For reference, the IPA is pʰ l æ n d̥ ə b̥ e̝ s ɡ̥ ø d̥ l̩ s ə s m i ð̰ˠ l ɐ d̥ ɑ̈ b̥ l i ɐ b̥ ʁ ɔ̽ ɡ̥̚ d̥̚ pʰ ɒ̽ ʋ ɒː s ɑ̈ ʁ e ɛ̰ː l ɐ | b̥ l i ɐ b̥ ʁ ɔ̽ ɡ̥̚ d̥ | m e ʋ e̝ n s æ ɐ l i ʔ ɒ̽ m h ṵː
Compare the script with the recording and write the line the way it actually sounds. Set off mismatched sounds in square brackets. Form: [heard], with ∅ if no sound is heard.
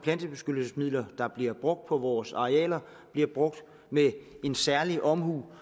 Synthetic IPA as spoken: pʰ l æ n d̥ ə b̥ e̝ s ɡ̥ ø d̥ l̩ s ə s m i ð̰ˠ l ɐ d̥ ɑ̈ b̥ l i ɐ b̥ ʁ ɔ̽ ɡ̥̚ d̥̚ pʰ ɒ̽ ʋ ɒː s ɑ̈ ʁ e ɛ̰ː l ɐ | b̥ l i ɐ b̥ ʁ ɔ̽ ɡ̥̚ d̥ | m e [∅] e̝ n s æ ɐ l i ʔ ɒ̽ m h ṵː